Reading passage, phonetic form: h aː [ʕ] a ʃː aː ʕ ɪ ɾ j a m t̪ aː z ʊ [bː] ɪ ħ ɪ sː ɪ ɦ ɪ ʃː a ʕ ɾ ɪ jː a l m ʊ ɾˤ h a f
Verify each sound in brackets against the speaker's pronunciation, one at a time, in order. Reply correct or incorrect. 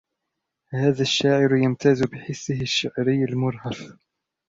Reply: incorrect, incorrect

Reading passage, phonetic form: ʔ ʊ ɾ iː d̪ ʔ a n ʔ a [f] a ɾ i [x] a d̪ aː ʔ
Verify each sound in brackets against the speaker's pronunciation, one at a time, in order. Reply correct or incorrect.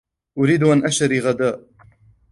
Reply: incorrect, incorrect

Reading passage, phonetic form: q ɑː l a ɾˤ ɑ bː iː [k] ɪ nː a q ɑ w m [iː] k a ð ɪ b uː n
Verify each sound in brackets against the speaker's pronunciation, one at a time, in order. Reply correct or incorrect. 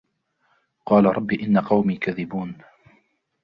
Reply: incorrect, correct

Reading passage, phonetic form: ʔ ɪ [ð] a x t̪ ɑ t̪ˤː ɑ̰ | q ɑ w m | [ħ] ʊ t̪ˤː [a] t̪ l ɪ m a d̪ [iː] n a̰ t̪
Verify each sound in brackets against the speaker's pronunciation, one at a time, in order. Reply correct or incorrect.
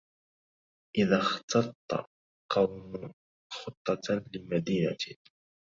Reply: correct, incorrect, incorrect, correct

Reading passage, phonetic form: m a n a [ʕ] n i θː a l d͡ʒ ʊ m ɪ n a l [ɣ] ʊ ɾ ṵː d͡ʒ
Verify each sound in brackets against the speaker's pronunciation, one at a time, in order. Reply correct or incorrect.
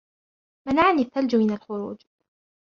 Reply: correct, incorrect

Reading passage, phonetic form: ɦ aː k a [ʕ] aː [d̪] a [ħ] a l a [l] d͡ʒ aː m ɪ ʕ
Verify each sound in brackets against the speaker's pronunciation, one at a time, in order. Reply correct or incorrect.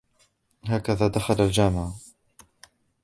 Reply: incorrect, correct, incorrect, correct

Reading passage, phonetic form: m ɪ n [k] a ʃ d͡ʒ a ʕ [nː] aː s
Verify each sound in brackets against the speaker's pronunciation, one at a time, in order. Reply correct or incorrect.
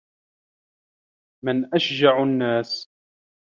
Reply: incorrect, correct

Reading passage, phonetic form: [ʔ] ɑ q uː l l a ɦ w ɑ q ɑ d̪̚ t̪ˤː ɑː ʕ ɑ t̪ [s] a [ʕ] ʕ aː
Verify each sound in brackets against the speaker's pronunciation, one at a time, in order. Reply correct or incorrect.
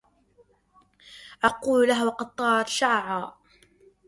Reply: correct, incorrect, correct

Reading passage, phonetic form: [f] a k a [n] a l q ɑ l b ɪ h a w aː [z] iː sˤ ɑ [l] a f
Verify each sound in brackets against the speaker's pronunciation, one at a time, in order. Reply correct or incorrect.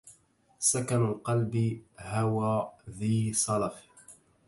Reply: incorrect, correct, incorrect, correct

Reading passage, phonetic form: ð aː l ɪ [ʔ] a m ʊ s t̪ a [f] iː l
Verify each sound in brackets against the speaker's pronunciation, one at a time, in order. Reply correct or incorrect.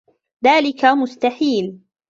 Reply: incorrect, incorrect

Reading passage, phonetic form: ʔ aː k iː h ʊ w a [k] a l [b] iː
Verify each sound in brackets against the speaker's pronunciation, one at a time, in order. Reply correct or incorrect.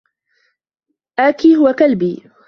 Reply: correct, correct

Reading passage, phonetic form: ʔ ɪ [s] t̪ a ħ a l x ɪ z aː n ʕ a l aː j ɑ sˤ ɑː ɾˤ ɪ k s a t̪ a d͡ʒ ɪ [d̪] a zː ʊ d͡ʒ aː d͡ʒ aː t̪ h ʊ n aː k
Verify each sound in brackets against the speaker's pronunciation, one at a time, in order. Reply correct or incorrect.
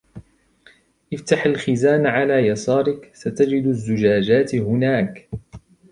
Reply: incorrect, correct

